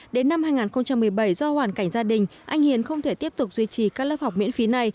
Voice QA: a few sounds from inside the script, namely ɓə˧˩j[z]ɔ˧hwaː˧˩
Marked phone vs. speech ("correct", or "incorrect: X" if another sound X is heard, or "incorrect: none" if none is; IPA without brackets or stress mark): correct